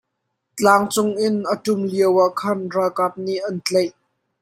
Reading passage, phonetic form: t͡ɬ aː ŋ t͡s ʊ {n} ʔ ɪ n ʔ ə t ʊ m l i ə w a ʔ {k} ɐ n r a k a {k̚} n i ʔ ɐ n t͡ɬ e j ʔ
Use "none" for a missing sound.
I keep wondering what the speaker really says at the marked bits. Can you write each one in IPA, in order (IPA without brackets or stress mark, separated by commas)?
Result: ŋ, kʰ, p̚